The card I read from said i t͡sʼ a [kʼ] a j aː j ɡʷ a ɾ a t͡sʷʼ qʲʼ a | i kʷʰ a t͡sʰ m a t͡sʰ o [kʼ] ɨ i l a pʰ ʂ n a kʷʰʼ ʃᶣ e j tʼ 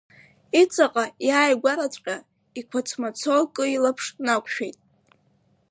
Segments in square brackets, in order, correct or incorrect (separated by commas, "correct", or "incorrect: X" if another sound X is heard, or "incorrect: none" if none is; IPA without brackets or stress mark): incorrect: qʼ, correct